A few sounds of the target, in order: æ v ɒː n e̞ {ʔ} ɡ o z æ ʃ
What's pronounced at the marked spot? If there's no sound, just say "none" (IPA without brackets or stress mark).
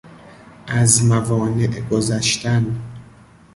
ʔ